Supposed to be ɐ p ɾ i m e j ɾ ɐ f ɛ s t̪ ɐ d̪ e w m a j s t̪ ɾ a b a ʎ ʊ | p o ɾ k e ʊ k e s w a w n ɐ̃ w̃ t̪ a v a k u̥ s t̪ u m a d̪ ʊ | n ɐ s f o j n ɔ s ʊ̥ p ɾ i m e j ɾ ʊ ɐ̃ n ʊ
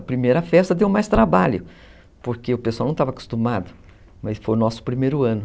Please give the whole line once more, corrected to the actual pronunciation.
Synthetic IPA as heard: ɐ p ɾ i m e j ɾ ɐ f ɛ s t̪ ɐ d̪ e w m a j s t̪ ɾ a b a ʎ ʊ | p o ɾ k e ʊ p e s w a w n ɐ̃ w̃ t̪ a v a k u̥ s t̪ u m a d̪ ʊ | m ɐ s f o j n ɔ s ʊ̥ p ɾ i m e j ɾ ʊ ɐ̃ n ʊ